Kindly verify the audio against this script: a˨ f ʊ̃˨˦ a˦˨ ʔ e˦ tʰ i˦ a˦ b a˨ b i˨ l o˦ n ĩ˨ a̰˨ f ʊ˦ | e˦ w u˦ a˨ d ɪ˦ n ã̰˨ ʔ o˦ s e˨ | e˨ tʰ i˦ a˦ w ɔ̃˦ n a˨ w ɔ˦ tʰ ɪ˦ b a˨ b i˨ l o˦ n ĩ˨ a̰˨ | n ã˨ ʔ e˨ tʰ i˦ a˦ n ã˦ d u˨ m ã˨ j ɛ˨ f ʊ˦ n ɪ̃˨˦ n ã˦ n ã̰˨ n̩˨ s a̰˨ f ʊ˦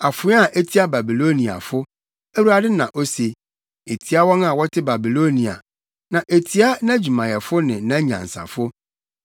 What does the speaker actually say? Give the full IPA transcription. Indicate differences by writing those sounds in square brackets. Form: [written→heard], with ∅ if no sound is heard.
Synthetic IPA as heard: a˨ f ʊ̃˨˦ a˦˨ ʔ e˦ tʰ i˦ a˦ b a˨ b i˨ l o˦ n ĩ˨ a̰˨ f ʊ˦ | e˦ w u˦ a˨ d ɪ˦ n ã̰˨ ʔ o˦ s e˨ | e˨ tʰ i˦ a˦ w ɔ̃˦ n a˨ w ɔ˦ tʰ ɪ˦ b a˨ b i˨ l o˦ n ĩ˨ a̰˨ | n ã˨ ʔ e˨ tʰ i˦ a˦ n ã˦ [d→d͡ʑ] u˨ m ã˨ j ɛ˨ f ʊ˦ n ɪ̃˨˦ n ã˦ [n→ɲ] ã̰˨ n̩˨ s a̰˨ f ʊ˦

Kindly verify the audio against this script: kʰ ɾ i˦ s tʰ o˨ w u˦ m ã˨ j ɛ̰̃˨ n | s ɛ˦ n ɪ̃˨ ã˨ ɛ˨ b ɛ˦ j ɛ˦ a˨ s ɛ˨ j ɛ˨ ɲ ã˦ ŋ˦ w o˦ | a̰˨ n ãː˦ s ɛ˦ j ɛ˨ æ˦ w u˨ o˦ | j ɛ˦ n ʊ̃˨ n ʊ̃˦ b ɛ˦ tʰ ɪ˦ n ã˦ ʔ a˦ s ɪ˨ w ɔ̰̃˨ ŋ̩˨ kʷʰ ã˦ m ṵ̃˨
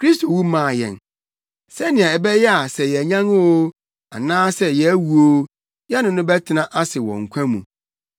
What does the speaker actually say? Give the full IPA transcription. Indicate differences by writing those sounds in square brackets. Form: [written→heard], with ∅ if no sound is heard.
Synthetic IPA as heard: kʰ ɾ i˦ s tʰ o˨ w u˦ m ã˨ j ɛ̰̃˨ n | s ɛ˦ n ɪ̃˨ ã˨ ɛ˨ b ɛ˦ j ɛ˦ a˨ s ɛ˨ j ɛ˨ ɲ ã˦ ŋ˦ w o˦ | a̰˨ n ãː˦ s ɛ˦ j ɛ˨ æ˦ w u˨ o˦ | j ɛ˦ n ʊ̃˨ n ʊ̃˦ b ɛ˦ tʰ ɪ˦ n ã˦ ʔ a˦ s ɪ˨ w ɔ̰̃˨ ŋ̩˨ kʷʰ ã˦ m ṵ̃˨

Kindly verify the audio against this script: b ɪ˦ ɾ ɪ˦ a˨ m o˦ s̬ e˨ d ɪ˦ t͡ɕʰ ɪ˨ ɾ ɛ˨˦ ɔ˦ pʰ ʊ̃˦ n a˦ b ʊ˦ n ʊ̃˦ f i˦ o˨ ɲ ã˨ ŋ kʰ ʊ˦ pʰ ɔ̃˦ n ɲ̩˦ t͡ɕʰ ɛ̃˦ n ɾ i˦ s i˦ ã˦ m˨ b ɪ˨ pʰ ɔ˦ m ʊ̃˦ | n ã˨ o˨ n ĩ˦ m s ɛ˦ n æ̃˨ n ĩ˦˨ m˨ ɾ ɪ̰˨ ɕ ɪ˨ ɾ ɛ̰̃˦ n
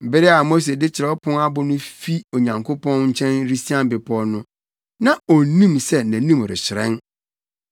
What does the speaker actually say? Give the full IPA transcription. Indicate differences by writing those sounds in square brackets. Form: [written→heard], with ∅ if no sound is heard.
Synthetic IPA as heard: b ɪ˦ ɾ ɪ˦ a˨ m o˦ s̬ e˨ d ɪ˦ t͡ɕʰ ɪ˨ ɾ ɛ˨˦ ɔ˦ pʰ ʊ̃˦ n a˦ b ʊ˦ n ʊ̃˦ f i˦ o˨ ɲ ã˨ ŋ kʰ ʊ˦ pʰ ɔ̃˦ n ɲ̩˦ t͡ɕʰ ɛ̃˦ n ɾ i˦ s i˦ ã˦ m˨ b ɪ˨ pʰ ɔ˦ [m→n] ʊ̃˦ | n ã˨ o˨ n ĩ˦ m s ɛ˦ n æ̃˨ n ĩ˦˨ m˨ ɾ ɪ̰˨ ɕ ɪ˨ ɾ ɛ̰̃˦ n

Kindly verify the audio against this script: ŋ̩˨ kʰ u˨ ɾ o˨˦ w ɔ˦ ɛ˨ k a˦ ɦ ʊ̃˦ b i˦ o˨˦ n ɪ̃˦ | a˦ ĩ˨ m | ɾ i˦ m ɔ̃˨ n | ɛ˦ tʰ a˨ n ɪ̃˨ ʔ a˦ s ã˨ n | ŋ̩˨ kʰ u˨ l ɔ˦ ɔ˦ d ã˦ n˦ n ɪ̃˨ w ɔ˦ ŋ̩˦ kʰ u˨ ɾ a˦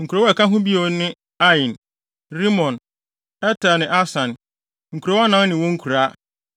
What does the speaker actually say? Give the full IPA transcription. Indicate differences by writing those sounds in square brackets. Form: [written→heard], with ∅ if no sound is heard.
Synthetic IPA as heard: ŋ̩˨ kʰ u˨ ɾ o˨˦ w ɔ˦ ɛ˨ k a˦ ɦ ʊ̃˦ b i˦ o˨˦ n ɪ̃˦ | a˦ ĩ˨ [m→n] | ɾ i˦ m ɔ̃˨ n | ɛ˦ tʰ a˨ n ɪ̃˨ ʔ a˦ s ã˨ n | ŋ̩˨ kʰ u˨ [l→ɾ] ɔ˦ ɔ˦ [d→n] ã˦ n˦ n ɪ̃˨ w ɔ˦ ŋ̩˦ kʰ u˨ ɾ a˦

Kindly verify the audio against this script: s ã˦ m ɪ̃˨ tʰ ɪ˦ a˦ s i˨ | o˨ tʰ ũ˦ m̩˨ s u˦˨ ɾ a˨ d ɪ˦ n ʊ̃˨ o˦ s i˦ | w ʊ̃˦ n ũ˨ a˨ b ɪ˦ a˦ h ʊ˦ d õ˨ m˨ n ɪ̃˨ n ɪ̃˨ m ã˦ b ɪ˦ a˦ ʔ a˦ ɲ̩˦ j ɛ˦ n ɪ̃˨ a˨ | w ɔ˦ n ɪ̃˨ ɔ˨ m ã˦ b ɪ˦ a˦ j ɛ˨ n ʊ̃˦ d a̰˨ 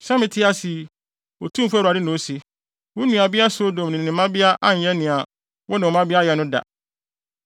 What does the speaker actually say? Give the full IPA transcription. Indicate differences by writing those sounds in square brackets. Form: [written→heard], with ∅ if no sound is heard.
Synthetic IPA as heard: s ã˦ m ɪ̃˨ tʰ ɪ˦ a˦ s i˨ | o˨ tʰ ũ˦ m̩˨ [s→f] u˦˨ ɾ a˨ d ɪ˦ n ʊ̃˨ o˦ s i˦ | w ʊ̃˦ n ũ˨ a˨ b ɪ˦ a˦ [h→s] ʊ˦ d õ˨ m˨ n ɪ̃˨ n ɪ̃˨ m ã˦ b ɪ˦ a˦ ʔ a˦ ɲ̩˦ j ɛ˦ n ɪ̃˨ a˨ | w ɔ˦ n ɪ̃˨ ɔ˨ m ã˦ b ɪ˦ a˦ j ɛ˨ n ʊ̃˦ d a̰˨

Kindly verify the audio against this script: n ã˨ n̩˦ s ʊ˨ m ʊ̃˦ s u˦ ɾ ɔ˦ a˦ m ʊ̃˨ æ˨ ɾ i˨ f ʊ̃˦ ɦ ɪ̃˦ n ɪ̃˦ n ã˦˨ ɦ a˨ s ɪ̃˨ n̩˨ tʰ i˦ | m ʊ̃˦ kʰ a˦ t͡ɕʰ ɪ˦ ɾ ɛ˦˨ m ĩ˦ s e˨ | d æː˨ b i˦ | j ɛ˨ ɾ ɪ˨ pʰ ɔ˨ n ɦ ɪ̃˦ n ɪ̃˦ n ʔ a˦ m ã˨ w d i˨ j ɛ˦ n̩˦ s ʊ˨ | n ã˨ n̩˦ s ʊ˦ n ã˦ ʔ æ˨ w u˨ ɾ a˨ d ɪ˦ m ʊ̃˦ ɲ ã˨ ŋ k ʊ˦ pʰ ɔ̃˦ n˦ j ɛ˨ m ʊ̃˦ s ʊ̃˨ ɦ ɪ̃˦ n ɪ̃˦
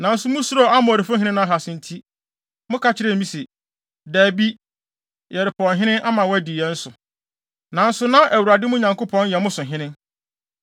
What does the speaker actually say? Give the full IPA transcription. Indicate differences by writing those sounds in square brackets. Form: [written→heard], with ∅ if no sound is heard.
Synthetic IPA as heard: n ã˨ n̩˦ s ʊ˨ m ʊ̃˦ s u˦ ɾ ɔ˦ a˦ m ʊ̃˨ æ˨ ɾ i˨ f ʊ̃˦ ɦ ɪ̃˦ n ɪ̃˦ n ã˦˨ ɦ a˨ s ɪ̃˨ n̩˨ tʰ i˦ | m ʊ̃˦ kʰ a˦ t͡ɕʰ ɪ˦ ɾ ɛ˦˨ m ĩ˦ s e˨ | d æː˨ b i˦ | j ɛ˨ ɾ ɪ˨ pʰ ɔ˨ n ɦ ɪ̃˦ n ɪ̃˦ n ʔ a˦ m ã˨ w d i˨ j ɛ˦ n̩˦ s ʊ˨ | n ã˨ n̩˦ s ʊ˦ n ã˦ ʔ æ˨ w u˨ ɾ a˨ d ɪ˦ m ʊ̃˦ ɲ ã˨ ŋ k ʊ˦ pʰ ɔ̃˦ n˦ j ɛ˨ m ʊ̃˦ s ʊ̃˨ ɦ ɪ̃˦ n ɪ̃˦

